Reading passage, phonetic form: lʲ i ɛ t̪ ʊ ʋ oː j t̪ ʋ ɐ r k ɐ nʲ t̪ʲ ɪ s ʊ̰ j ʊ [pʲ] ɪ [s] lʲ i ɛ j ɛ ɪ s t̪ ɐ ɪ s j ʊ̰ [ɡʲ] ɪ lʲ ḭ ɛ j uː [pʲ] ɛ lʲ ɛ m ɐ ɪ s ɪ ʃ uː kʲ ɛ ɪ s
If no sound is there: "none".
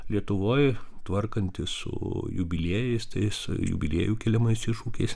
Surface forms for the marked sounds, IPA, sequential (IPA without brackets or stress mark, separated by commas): bʲ, none, bʲ, kʲ